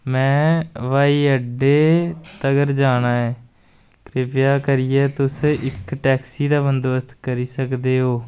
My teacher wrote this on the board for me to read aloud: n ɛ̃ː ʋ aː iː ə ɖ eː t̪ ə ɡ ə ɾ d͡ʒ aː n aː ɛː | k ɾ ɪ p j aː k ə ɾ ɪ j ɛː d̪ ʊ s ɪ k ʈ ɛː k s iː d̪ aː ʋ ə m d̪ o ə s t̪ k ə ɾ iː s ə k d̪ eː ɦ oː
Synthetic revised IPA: m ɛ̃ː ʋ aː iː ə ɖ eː t̪ ə ɡ ə ɾ d͡ʒ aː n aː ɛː | k ɾ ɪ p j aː k ə ɾ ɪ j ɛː t̪ ʊ s ɪ k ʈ ɛː k s iː d̪ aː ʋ ə n d̪ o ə s t̪ k ə ɾ iː s ə k d̪ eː ɦ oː